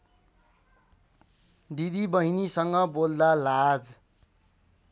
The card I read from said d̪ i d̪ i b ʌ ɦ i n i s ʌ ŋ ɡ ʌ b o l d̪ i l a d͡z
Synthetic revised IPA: d̪ i d̪ i b ʌ ɦ i n i s ʌ ŋ ɡ ʌ b o l d̪ a l a d͡z